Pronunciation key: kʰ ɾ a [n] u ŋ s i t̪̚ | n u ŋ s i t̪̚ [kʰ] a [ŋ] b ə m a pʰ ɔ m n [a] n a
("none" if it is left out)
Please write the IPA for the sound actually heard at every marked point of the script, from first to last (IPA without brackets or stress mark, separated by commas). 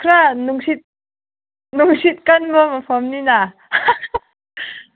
n, k, n, i